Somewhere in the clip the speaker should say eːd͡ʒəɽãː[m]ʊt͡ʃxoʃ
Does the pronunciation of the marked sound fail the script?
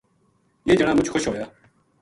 no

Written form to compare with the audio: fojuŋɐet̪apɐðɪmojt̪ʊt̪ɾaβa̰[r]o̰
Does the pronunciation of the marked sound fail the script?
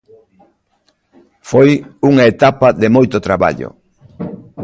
yes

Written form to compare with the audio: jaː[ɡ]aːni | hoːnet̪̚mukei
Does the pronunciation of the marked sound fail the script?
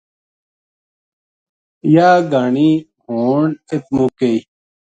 no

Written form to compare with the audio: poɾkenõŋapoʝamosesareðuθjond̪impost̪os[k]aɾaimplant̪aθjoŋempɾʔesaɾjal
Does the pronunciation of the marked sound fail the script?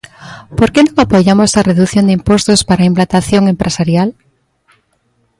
yes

